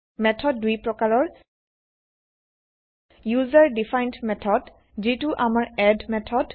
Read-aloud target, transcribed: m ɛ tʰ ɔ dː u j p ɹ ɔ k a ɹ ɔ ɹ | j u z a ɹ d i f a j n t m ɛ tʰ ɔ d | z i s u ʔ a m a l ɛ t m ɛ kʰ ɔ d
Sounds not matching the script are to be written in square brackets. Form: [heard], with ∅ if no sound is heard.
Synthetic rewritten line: m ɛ tʰ ɔ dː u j p ɹ ɔ k a ɹ ɔ ɹ | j u z a ɹ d i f a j n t m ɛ tʰ ɔ d | z i [t] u ʔ a m a [ɹ] ɛ [d] m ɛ [tʰ] ɔ d

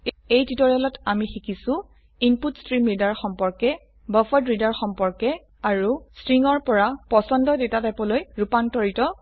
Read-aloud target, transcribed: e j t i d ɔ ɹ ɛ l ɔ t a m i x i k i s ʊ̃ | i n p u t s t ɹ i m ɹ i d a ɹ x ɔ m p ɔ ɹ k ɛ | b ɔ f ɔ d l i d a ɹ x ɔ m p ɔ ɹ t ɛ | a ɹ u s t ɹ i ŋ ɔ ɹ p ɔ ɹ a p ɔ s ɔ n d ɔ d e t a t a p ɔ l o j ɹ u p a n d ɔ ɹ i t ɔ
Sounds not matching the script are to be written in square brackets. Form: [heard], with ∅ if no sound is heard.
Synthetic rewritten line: e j t i [t] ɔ ɹ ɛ l ɔ t a m i x i k i s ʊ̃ | i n p u t s t ɹ i m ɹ i d a ɹ x ɔ m p ɔ ɹ k ɛ | b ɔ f ɔ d [ɹ] i d a ɹ x ɔ m p ɔ ɹ [k] ɛ | a ɹ u s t ɹ i ŋ ɔ ɹ p ɔ ɹ a p ɔ s ɔ n d ɔ d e t a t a p ɔ l o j ɹ u p a n [t] ɔ ɹ i t ɔ

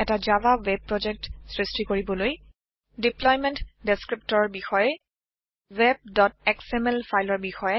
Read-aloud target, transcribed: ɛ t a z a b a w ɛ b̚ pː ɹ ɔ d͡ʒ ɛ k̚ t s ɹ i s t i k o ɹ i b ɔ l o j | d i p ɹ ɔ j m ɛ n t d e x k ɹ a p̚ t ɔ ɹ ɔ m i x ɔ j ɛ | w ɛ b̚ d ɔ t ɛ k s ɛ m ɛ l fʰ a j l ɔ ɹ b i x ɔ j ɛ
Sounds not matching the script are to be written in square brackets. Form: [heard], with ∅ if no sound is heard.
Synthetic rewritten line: ɛ t a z a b a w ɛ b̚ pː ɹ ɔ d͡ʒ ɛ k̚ t s ɹ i s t i k o ɹ i b ɔ l o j | d i p [l] ɔ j m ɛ n t d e [s] k ɹ [i] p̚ t ɔ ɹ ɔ [b] i x ɔ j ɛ | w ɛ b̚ d ɔ t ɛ k s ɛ m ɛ l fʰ a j l ɔ ɹ b i x ɔ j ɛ

